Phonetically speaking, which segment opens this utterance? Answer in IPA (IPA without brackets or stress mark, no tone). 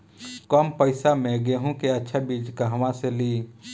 k